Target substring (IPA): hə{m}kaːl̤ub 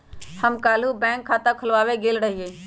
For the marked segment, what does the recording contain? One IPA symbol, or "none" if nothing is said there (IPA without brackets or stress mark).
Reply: m